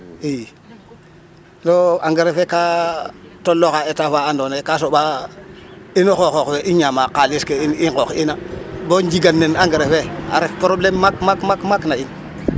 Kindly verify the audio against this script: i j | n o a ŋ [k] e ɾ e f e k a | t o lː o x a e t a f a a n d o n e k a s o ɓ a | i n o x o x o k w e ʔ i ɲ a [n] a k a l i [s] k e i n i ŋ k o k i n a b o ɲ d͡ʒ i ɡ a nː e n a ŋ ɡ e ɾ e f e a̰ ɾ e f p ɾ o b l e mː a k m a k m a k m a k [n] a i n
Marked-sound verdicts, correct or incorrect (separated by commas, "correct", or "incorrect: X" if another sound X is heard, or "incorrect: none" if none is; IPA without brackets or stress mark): incorrect: ɡ, incorrect: m, correct, correct